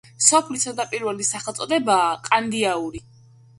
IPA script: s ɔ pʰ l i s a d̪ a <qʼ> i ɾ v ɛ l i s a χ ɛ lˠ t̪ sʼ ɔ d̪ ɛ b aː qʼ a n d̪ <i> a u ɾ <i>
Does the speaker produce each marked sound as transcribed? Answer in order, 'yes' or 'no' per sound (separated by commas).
no, yes, yes